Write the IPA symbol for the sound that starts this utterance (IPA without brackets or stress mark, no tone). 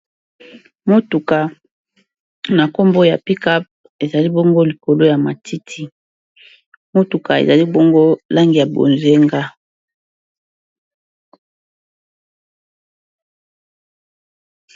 m